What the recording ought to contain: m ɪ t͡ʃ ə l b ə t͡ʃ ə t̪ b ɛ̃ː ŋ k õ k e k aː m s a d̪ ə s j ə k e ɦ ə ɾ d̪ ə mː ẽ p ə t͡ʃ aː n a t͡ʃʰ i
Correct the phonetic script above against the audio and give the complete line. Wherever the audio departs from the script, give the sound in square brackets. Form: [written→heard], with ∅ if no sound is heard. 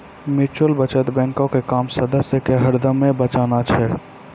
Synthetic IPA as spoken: m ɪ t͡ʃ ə l b ə t͡ʃ ə t̪ b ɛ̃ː ŋ k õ k e k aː m s [a→ə] d̪ ə s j ə k e ɦ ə ɾ d̪ ə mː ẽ [p→b] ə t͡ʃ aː n a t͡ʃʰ [i→ɛ]